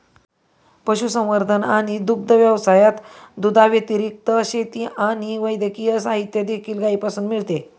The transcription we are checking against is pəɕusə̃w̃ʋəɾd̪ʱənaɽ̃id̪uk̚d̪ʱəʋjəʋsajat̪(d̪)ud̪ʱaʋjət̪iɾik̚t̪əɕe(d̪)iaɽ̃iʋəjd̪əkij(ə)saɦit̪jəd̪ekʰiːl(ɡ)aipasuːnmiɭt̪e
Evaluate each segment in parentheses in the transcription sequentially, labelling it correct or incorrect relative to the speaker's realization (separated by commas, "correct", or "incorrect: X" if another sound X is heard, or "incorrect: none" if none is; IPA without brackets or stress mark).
correct, incorrect: t̪, correct, correct